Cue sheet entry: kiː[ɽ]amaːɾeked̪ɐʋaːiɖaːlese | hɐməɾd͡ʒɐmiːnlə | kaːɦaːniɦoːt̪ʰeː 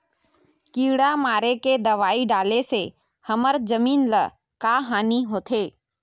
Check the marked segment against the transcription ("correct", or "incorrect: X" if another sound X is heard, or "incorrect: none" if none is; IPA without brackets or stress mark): correct